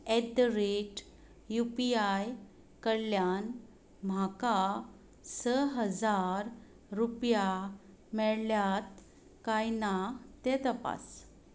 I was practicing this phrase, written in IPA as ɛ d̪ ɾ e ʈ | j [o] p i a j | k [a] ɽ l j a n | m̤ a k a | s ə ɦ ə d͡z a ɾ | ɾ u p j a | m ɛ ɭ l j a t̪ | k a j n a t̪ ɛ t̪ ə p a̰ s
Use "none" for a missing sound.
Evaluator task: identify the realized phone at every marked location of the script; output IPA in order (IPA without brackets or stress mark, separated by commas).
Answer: u, ə